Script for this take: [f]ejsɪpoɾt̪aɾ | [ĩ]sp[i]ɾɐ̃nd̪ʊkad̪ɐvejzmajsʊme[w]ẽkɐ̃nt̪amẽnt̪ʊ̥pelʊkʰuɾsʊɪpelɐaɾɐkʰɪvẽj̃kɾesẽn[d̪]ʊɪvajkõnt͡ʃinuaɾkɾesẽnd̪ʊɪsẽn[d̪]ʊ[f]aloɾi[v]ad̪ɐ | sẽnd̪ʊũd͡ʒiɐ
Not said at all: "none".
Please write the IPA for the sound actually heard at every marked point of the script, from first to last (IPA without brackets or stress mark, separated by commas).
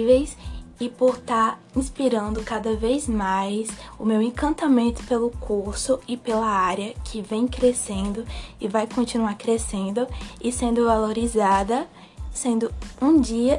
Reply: v, ĩ, i, w, d̪, d̪, v, z